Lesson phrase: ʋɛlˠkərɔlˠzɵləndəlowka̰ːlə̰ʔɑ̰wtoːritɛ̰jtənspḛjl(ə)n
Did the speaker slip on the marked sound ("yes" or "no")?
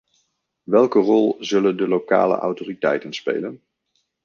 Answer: no